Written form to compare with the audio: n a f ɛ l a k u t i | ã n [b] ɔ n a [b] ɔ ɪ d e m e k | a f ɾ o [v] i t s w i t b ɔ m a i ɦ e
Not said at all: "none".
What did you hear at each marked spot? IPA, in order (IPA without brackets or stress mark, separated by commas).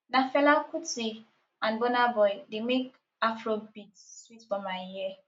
b, b, b